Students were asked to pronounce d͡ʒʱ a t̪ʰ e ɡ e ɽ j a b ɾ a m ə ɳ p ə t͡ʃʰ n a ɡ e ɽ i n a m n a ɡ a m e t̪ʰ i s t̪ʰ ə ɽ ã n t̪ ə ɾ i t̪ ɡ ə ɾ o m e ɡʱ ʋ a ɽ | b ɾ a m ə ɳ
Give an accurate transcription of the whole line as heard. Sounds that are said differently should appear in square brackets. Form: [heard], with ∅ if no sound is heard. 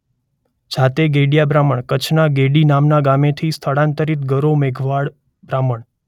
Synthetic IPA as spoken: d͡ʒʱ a [t̪] e ɡ e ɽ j a b ɾ a m ə ɳ [k] ə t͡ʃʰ n a ɡ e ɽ i n a m n a ɡ a m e t̪ʰ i s t̪ʰ ə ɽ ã n t̪ ə ɾ i t̪ ɡ ə ɾ o m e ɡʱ ʋ a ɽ | b ɾ a m ə ɳ